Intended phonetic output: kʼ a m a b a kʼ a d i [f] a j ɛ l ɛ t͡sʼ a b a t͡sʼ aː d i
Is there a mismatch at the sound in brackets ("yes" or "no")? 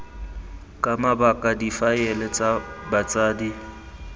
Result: no